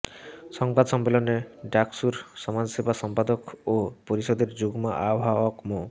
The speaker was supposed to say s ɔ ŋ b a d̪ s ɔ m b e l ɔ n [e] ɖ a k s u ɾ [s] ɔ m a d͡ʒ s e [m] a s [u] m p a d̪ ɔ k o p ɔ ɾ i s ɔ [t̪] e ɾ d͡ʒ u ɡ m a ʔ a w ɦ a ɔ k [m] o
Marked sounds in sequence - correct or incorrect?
correct, correct, incorrect: b, incorrect: ɔ, incorrect: d̪, correct

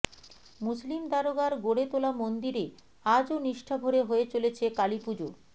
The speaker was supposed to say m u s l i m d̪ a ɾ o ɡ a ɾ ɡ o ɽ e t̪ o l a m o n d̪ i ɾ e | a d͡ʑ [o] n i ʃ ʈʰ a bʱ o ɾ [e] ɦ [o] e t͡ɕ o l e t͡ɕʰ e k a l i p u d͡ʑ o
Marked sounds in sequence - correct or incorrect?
correct, correct, correct

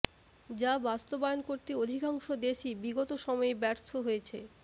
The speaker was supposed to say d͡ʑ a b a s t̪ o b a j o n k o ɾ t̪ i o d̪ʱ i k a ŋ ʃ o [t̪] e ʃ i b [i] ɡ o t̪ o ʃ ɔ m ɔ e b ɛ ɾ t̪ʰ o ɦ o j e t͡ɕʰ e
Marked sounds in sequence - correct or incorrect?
incorrect: d̪, correct

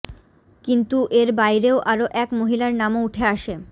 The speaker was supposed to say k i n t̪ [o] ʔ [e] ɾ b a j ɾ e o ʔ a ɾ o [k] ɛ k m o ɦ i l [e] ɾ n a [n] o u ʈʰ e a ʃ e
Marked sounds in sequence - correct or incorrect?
incorrect: u, correct, incorrect: ʔ, incorrect: a, incorrect: m

